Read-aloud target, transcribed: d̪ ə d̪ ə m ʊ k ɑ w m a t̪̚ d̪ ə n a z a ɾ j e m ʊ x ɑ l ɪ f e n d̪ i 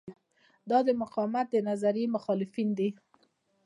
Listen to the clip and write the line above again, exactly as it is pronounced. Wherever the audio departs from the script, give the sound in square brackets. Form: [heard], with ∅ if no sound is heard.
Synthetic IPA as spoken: d̪ [ɑ] d̪ ə m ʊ [q] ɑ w m a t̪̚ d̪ ə n a z a ɾ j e m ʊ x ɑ l ɪ f [i] n d̪ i